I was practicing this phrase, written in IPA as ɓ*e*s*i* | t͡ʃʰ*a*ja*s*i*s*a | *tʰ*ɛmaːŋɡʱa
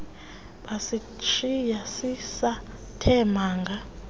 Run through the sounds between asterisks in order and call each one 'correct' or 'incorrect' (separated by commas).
incorrect, correct, incorrect, correct, correct, correct